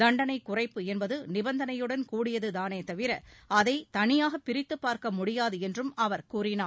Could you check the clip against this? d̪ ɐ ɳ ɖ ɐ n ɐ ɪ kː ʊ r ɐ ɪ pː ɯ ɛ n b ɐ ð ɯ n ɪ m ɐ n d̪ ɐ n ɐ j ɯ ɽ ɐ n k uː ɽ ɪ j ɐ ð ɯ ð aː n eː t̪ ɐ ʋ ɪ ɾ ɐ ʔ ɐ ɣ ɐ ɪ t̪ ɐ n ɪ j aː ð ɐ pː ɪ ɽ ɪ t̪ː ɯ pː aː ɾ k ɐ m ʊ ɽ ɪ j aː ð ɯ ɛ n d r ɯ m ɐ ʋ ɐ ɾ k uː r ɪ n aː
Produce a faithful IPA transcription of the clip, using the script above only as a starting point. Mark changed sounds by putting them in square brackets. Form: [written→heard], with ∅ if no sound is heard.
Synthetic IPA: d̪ ɐ ɳ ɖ ɐ n ɐ ɪ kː ʊ r ɐ ɪ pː ɯ ɛ n b ɐ ð ɯ n ɪ [m→b] ɐ n d̪ ɐ n ɐ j ɯ ɽ ɐ n k uː ɽ ɪ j ɐ ð ɯ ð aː n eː t̪ ɐ ʋ ɪ ɾ ɐ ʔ ɐ [ɣ→ð] ɐ ɪ t̪ ɐ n ɪ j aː [ð→ɣ] ɐ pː ɪ [ɽ→ɾ] ɪ t̪ː ɯ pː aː ɾ k ɐ m ʊ ɽ ɪ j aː ð ɯ ɛ n d r ɯ m ɐ ʋ ɐ ɾ k uː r ɪ n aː